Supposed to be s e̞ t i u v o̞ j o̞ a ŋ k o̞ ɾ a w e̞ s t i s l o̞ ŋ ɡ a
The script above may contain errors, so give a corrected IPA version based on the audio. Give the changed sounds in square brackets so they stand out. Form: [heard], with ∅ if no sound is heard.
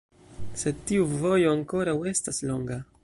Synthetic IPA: s e̞ t i u v o̞ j o̞ a ŋ k o̞ ɾ a w e̞ s t [a] s l o̞ ŋ ɡ a